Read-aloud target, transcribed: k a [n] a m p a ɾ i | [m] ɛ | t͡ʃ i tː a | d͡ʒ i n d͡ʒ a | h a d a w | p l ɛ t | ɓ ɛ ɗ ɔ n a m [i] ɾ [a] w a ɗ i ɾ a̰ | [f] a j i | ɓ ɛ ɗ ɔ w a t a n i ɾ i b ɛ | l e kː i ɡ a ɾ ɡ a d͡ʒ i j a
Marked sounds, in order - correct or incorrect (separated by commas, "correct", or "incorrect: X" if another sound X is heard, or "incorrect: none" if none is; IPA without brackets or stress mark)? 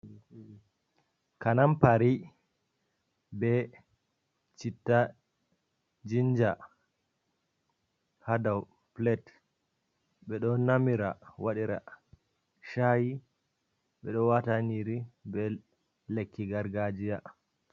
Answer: correct, incorrect: b, correct, correct, incorrect: ʃ